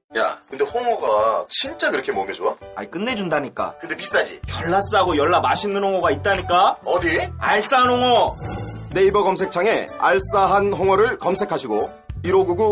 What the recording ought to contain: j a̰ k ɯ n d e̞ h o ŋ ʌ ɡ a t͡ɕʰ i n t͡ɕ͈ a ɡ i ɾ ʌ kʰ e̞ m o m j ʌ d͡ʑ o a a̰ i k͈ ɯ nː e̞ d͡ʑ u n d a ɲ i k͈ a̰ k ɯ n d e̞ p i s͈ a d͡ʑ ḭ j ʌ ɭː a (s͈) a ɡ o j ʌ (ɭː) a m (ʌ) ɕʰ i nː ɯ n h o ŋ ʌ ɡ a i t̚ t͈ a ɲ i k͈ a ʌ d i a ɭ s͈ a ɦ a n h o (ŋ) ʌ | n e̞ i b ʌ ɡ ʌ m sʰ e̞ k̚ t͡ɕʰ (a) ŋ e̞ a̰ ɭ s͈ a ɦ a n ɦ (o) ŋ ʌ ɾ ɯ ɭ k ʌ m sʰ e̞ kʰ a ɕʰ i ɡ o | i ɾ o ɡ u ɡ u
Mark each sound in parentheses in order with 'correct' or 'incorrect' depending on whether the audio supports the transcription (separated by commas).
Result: correct, correct, incorrect, correct, correct, correct